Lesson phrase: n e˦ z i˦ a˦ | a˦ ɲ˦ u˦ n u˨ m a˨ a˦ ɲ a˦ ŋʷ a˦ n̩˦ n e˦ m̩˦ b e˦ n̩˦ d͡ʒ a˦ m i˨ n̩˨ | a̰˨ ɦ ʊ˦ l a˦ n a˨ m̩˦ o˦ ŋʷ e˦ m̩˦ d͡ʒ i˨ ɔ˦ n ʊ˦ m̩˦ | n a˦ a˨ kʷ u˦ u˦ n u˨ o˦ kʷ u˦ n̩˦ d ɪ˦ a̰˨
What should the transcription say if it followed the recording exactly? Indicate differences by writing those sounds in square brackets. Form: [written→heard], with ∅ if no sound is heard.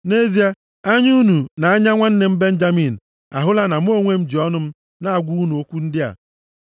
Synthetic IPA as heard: n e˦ z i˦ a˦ | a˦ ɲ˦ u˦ n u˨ [m→n] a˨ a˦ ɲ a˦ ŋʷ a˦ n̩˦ n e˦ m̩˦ b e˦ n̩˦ d͡ʒ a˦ m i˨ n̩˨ | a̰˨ ɦ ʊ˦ l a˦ n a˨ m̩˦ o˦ ŋʷ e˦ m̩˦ d͡ʒ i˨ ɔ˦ n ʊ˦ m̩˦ | n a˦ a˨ [kʷ→ɡʷ] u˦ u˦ n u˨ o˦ kʷ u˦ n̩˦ d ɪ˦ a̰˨